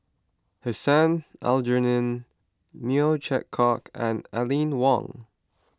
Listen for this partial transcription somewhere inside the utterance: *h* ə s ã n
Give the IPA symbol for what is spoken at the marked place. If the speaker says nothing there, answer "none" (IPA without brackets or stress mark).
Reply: h